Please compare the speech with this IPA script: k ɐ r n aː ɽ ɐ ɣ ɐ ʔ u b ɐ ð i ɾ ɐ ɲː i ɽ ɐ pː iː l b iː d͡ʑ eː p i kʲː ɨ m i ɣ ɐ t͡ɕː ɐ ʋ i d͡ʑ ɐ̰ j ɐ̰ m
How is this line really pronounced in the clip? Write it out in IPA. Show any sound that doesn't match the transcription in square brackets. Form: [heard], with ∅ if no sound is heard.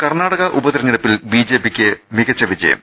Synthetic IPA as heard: k ɐ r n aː ɽ ɐ ɣ ɐ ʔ u b ɐ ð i ɾ ɐ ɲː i ɽ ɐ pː [i] l b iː d͡ʑ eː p i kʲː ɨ m i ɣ ɐ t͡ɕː ɐ ʋ i d͡ʑ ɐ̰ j ɐ̰ m